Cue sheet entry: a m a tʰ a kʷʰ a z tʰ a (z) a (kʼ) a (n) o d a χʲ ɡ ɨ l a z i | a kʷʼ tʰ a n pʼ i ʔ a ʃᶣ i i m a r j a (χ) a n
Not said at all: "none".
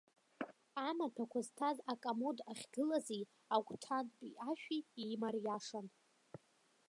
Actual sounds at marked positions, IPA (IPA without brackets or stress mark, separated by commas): z, kʼ, m, ʂ